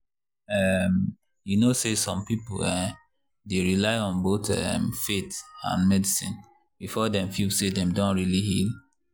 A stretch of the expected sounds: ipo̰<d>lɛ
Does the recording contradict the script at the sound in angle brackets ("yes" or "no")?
yes